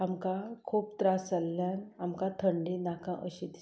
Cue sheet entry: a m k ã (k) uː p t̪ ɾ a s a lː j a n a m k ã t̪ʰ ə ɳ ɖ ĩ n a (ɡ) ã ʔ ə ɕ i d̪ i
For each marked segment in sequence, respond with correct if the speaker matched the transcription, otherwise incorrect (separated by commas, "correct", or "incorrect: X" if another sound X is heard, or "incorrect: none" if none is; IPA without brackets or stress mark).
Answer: incorrect: kʰ, incorrect: k